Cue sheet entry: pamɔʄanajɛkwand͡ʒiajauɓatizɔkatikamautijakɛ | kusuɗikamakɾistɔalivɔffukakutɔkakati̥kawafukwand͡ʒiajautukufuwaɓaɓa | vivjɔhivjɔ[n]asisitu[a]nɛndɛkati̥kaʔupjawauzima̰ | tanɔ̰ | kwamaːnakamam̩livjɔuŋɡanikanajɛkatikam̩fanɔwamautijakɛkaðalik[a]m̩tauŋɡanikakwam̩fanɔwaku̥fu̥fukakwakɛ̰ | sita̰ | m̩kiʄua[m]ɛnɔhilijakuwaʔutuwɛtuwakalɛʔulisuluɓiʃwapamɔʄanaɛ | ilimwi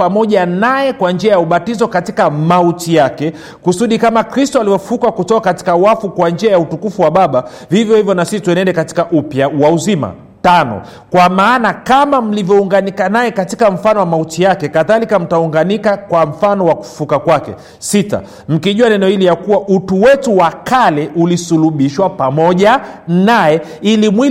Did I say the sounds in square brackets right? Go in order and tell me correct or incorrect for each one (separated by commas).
correct, incorrect, correct, incorrect